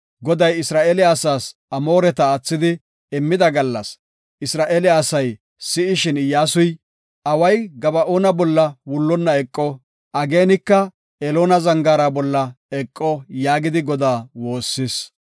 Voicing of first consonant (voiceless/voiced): voiced